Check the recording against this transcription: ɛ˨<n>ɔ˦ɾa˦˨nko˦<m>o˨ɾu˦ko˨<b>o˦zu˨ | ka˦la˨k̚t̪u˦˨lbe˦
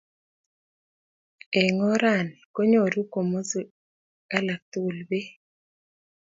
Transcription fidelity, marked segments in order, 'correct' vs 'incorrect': incorrect: ŋ, incorrect: ɲ, incorrect: m

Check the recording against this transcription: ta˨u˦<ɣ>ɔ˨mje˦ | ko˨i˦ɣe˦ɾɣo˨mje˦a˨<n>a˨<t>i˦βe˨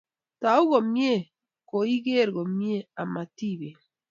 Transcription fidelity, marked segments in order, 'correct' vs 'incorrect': correct, incorrect: m, correct

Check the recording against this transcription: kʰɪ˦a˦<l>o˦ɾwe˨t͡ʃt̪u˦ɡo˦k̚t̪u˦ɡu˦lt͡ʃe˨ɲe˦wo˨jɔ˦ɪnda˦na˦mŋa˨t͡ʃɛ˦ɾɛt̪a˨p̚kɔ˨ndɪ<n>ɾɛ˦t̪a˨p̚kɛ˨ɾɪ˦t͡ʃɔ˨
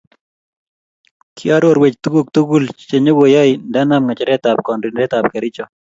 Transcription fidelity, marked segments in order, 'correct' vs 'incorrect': incorrect: ɾ, correct

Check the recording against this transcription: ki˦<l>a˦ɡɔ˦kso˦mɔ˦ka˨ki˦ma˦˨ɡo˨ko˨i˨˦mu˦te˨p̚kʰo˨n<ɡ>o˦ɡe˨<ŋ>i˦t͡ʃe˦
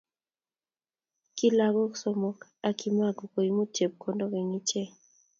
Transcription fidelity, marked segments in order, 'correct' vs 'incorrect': correct, incorrect: d, correct

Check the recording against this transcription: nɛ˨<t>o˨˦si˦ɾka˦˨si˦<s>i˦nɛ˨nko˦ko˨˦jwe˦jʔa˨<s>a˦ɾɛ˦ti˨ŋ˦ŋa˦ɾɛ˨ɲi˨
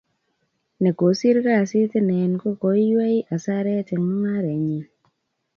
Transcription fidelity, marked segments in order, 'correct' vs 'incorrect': incorrect: k, incorrect: t, correct

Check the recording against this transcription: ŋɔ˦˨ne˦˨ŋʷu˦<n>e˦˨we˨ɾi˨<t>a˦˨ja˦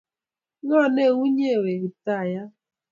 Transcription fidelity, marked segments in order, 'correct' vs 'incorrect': incorrect: ɲ, correct

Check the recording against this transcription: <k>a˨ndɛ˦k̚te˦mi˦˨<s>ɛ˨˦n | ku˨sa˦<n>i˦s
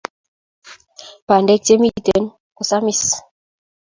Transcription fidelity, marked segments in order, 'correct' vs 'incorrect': incorrect: p, incorrect: t, incorrect: m

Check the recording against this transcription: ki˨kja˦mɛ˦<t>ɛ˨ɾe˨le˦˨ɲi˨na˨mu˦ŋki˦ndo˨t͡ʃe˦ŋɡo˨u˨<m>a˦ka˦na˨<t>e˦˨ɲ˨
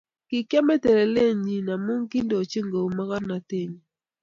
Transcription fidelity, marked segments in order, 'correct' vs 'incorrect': correct, correct, correct

